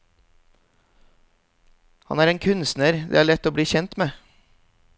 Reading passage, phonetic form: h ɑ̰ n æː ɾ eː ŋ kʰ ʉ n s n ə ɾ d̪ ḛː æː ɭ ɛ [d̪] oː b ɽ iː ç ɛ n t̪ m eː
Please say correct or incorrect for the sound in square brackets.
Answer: incorrect